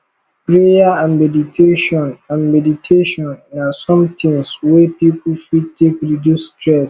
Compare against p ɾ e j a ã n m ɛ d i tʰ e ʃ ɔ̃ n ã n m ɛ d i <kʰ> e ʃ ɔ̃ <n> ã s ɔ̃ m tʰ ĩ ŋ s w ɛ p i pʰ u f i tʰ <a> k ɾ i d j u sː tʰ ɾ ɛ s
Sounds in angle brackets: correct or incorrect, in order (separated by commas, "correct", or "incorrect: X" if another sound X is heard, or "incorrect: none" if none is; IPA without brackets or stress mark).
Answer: incorrect: tʰ, incorrect: nː, incorrect: e